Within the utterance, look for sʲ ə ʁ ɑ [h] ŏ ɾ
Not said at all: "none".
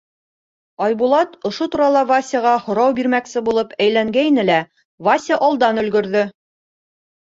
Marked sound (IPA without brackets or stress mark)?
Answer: h